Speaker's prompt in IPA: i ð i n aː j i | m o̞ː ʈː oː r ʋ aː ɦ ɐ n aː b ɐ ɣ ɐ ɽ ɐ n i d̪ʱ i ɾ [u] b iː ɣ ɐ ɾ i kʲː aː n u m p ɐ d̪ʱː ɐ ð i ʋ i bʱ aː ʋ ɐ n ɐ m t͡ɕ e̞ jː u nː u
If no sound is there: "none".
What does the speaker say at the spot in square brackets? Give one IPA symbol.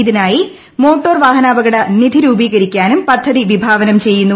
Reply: uː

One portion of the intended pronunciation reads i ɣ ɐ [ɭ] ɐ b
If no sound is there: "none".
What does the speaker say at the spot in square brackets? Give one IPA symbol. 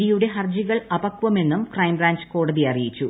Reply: ɭ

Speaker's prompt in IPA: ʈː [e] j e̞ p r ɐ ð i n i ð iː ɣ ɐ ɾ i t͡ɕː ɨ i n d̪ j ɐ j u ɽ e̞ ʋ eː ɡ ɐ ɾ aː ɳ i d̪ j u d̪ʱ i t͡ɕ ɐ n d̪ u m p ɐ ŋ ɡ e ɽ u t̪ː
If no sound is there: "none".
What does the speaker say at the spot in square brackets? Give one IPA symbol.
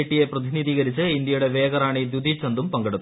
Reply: i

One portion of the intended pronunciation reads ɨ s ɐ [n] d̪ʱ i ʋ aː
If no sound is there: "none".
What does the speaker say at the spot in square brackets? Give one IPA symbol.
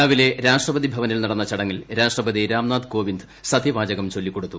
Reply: none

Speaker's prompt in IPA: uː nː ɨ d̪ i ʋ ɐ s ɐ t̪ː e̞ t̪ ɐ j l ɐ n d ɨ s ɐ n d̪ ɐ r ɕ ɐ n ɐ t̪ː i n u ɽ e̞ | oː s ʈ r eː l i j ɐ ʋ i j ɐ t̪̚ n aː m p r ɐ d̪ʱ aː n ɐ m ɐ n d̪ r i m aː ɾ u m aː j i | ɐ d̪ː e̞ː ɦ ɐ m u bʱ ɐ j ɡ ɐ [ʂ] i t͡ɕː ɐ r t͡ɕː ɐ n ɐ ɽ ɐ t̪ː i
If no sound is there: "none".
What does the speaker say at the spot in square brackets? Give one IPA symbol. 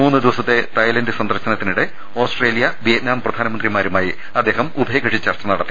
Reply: ʂ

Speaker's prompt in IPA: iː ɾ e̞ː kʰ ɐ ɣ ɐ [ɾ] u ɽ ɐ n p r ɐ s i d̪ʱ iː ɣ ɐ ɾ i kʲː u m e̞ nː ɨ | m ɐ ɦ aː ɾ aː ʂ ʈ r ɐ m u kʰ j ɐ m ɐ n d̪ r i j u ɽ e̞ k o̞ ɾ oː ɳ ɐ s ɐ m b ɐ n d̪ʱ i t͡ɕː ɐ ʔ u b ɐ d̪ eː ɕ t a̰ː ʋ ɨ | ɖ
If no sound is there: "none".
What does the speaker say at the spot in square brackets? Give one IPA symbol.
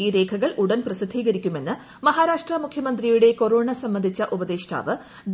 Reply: ɭ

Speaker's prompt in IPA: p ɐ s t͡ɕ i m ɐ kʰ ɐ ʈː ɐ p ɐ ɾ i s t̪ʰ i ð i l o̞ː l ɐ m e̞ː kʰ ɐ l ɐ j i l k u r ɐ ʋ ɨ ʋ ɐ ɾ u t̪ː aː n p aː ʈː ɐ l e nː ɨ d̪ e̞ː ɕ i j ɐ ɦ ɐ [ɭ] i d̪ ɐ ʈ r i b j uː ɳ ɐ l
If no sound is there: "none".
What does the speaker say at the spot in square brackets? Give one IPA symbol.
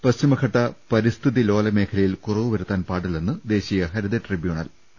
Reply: ɾ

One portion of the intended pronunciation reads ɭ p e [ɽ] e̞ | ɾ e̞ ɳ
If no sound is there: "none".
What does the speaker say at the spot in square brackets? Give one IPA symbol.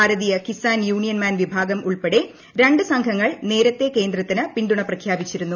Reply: ɽ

